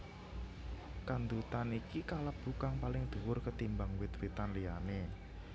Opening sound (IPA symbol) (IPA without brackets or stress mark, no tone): k